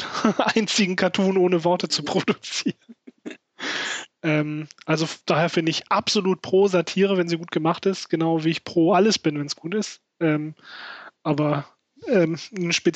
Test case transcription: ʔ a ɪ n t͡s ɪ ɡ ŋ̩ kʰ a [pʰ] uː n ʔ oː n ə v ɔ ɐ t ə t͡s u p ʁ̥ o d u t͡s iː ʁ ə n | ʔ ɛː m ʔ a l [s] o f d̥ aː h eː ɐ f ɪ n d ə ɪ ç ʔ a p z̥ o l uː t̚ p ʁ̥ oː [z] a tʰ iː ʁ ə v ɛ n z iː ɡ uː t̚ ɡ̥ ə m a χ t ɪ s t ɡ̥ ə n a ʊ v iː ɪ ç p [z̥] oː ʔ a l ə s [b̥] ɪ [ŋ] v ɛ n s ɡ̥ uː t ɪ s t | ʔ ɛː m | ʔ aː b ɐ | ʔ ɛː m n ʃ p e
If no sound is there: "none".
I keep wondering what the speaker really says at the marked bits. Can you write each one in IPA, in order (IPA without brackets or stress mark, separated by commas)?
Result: tʰ, z, z, ʁ̥, b̥, n